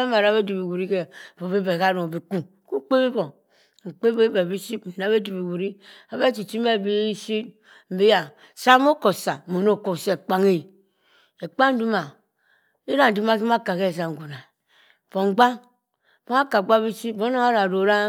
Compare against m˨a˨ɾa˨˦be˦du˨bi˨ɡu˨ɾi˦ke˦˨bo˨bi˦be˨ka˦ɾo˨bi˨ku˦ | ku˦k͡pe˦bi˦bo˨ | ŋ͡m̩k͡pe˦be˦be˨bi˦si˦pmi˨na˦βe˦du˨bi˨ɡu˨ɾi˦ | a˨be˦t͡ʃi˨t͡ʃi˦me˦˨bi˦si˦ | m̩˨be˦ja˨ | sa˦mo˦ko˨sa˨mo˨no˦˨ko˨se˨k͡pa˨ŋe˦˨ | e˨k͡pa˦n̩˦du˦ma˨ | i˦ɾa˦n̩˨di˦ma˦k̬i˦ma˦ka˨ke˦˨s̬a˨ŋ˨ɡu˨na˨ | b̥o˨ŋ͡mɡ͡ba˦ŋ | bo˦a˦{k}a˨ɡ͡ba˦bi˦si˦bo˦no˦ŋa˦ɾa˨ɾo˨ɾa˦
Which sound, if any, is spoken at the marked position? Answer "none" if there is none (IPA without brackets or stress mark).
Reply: k